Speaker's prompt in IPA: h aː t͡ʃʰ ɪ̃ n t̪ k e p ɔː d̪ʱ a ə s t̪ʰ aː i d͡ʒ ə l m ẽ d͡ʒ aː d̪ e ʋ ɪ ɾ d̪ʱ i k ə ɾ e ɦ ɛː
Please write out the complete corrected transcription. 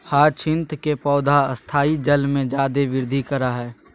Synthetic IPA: h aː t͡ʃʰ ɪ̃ n t̪ k e p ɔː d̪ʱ a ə s t̪ʰ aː i d͡ʒ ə l m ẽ d͡ʒ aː d̪ e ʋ ɪ ɾ d̪ʱ i k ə ɾ a ɦ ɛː